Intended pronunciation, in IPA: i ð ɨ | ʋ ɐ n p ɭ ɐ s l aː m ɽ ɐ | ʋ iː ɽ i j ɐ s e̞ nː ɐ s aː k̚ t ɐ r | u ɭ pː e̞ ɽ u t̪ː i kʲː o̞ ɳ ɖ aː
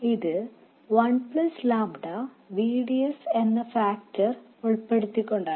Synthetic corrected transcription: i ð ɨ | ʋ ɐ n p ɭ ɐ s l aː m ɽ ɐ | ʋ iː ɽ i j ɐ s e̞ nː ɐ f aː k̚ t ɐ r | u ɭ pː e̞ ɽ u t̪ː i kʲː o̞ ɳ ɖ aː